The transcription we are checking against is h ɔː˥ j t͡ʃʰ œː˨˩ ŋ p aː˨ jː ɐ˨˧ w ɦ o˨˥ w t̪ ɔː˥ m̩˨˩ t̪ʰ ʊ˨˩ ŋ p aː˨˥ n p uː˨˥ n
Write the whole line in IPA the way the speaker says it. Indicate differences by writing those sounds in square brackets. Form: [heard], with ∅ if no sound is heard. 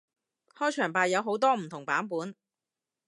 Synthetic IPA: h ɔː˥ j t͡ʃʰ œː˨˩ ŋ p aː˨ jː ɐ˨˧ w ɦ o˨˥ w t̪ ɔː˥ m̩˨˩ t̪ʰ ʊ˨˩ ŋ p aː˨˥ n p uː˨˥ n